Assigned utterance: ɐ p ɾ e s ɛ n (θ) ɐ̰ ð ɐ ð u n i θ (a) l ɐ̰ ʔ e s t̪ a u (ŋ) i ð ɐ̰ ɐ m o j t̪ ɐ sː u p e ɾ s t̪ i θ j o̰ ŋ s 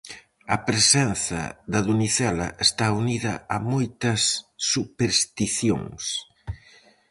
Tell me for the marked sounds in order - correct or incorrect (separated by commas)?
correct, incorrect, incorrect